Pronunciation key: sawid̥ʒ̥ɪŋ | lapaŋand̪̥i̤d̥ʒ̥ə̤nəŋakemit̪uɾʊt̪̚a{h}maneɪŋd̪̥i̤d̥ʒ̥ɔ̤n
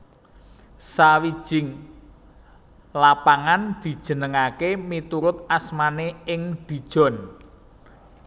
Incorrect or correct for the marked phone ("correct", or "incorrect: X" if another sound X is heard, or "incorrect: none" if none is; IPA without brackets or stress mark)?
incorrect: s